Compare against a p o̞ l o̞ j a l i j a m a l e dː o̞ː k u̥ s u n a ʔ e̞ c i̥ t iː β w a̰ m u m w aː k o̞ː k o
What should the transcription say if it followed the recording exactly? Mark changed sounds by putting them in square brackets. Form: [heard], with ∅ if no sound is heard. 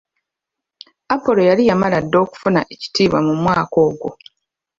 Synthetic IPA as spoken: a p o̞ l o̞ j a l i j a m a l [a] dː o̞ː k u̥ [f] u n a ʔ e̞ c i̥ t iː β w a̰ m u m w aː k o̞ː [ɡ] o